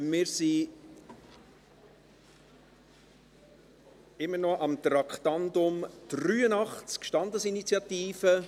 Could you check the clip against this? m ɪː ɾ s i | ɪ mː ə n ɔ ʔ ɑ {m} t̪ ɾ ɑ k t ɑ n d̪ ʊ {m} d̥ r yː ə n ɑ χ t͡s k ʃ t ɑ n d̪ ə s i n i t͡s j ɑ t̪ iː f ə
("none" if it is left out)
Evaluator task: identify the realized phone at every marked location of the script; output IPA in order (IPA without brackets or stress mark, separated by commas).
m, m